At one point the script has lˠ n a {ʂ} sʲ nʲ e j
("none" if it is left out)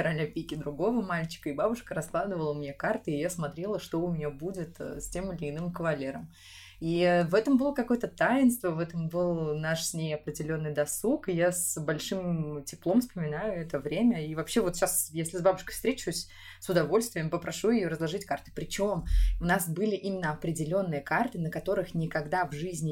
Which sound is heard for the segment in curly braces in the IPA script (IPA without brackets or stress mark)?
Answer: ʂ